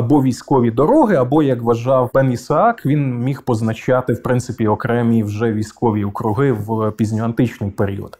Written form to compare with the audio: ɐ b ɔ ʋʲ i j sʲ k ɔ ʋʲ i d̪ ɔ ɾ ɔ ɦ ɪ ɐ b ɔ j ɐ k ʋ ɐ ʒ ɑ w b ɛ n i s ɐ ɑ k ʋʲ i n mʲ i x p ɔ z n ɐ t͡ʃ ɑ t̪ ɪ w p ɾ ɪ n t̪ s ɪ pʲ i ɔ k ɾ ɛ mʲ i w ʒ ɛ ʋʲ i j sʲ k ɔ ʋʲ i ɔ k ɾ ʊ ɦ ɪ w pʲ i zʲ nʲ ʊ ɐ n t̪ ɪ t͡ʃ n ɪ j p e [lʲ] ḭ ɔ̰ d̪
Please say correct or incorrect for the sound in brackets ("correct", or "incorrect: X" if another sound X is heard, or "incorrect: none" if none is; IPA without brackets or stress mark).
incorrect: ɾʲ